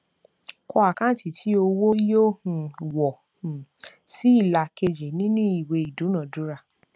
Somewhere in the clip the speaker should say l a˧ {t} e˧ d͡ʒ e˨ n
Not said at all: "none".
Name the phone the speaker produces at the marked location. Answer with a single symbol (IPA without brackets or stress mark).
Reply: k